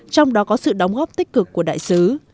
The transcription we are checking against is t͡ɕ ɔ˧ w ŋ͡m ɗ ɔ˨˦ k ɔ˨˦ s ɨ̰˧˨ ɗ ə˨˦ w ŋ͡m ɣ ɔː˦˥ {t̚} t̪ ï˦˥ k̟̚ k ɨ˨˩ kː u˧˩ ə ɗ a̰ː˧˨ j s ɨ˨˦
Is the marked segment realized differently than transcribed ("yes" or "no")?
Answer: yes